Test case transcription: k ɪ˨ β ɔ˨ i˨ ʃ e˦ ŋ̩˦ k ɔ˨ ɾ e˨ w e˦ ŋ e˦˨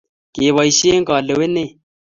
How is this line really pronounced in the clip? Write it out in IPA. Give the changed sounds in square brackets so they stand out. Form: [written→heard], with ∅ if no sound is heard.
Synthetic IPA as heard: k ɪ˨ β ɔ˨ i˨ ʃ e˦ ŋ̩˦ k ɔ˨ [ɾ→l] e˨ w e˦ [ŋ→n] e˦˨